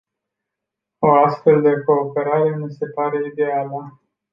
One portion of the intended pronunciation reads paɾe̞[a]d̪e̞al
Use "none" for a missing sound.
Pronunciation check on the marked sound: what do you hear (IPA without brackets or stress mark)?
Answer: i